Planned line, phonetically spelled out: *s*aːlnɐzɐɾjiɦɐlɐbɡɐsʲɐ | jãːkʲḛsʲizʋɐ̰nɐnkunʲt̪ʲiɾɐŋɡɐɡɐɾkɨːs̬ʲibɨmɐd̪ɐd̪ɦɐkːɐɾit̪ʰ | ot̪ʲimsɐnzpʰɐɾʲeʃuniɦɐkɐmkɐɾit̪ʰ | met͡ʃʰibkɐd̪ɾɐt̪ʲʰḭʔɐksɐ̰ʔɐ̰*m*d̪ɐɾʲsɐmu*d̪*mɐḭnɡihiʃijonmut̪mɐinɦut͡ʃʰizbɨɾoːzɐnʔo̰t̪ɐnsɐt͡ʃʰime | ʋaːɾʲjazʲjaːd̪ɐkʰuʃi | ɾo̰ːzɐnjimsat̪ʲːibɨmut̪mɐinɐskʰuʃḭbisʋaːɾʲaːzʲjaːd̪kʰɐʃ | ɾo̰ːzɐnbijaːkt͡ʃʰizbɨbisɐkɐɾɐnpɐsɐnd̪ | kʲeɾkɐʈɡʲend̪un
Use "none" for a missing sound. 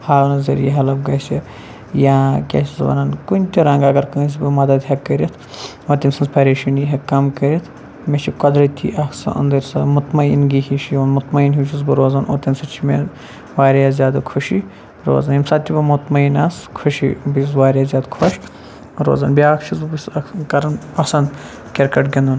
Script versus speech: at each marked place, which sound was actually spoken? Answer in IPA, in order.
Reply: h, n, t̪

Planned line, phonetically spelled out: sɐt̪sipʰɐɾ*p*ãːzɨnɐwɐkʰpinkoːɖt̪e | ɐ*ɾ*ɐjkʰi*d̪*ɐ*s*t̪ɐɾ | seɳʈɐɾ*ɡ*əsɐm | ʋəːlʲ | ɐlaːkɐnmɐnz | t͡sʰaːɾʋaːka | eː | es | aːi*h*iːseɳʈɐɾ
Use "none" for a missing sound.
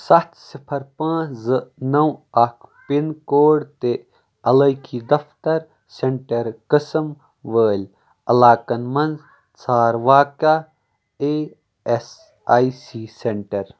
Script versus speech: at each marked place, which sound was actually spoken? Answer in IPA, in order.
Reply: p, l, d̪, f, k, s

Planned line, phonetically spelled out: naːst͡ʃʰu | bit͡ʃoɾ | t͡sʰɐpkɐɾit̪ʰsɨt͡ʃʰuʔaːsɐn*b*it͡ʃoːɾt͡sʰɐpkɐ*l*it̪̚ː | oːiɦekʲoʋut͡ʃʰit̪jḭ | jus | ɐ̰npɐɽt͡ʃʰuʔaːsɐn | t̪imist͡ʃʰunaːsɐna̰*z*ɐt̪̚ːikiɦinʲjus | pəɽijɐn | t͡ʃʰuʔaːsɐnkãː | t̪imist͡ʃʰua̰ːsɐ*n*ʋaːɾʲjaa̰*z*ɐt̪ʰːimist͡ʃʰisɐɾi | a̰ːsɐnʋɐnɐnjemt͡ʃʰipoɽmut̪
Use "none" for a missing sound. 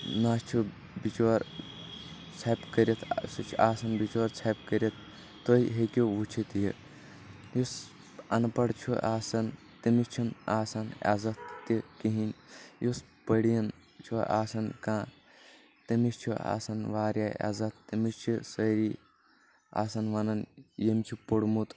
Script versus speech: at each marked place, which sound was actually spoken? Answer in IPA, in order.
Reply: b, ɾ, z, n, z

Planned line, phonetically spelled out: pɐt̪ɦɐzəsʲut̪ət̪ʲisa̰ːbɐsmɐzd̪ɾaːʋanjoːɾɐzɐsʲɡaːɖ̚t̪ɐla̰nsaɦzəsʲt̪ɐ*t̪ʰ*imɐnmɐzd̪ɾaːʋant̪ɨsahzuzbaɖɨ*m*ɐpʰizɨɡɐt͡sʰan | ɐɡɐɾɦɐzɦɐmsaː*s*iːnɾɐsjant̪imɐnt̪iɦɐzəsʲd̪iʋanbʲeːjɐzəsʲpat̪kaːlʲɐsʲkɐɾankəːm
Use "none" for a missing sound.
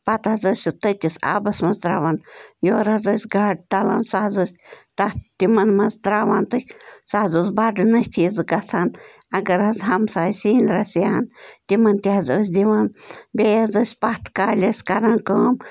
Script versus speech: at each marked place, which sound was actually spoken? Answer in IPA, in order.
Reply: t̪, n, s

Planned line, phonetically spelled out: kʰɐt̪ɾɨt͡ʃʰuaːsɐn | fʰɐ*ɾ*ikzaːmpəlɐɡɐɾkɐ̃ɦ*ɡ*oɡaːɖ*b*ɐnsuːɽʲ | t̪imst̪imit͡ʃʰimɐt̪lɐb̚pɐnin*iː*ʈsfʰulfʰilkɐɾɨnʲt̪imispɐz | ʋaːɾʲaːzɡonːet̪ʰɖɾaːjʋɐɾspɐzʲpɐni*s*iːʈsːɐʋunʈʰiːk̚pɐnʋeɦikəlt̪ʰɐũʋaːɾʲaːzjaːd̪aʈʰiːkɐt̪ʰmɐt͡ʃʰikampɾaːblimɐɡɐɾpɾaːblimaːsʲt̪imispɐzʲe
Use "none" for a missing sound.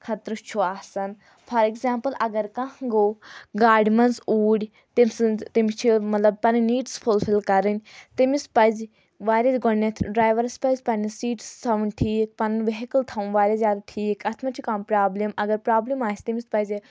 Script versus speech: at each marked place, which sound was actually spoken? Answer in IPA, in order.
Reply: ɾ, ɡ, m, iː, s

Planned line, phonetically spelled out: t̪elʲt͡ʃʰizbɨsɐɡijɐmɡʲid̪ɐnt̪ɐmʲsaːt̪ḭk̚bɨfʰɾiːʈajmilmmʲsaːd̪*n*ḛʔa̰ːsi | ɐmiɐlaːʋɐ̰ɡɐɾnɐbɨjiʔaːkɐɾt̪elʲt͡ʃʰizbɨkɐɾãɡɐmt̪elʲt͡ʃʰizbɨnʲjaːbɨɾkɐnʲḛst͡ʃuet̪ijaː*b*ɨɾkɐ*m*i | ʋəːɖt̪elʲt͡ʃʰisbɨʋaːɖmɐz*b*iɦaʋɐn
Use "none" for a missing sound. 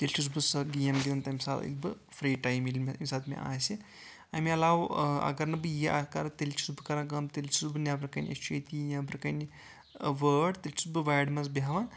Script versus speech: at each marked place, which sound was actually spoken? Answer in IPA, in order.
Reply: m, b, n, b

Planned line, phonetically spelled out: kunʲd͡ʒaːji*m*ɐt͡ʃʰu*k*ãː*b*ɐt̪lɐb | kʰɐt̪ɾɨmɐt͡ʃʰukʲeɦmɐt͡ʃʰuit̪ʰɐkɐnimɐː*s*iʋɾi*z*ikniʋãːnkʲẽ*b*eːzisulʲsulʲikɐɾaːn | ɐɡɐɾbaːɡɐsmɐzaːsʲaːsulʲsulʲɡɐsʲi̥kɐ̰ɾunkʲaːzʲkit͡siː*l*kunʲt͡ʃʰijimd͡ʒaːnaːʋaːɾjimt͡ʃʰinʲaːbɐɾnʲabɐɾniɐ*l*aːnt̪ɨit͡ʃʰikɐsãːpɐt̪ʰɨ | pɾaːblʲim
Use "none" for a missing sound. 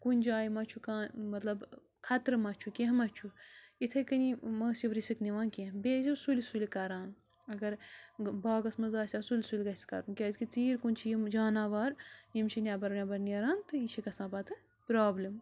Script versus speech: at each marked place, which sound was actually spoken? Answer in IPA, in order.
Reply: m, k, m, s, s, b, ɾ, ɾ

